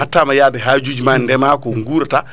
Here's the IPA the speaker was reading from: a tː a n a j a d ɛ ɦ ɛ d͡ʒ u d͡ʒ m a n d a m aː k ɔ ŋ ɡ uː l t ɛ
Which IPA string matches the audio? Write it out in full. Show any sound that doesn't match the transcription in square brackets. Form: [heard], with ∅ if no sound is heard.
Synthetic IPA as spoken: a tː a [m] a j a d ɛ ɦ [a] d͡ʒ u d͡ʒ m a n d [ɛ] m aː k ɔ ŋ ɡ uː [ɾ] t [a]